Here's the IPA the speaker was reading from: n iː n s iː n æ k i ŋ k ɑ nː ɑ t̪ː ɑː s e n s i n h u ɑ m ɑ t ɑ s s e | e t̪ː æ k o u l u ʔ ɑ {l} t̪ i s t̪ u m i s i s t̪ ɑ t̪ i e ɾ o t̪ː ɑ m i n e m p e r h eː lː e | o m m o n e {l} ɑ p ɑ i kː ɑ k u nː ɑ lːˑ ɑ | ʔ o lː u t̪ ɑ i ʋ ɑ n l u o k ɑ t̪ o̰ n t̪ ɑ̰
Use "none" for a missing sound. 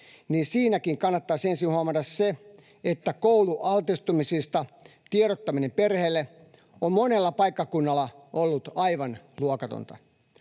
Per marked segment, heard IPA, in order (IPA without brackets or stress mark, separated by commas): l, lː